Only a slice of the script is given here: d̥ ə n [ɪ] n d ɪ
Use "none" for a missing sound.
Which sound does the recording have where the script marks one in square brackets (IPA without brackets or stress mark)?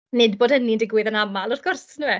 i